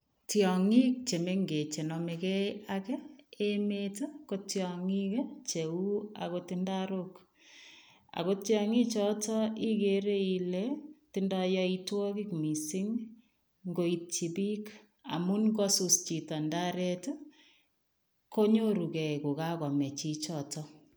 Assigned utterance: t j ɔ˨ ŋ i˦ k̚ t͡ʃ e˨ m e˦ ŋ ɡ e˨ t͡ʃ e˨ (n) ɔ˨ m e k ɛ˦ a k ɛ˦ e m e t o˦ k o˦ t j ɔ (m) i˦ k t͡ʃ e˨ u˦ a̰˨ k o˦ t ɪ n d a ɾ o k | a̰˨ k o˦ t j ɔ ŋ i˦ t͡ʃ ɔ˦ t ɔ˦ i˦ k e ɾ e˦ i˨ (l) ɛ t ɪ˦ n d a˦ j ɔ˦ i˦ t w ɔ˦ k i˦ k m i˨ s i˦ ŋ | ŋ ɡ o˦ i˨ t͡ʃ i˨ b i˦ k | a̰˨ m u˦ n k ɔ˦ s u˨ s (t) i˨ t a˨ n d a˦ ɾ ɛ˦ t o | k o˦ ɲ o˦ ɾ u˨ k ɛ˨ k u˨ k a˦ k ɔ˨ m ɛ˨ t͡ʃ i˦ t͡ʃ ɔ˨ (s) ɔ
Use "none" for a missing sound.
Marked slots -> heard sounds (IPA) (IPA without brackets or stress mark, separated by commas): n, ŋ, l, t͡ʃ, t